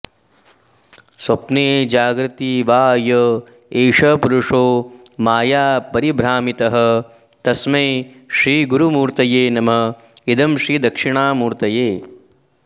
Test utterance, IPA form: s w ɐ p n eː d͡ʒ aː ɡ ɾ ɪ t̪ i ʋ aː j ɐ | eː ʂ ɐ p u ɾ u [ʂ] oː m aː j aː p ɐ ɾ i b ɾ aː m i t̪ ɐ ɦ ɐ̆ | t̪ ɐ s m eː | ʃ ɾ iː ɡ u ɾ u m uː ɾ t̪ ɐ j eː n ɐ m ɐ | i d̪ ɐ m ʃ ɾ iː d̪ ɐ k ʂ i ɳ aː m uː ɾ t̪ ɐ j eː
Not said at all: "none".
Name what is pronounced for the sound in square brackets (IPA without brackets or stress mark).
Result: ʂ